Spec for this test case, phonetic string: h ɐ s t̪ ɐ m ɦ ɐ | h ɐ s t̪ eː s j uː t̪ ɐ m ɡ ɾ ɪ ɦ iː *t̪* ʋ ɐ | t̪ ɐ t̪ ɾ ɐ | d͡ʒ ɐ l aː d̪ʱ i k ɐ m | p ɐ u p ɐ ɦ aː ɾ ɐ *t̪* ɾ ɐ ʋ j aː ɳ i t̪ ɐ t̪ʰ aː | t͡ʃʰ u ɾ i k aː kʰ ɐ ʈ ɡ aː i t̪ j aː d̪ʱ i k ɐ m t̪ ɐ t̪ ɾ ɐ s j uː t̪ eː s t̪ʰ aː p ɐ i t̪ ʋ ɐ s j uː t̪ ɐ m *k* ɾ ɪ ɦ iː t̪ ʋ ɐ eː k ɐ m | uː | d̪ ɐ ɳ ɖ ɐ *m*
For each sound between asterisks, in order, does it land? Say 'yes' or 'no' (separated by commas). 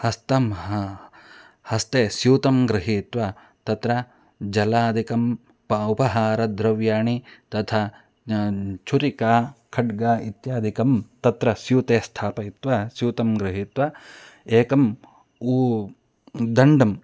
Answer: yes, no, no, yes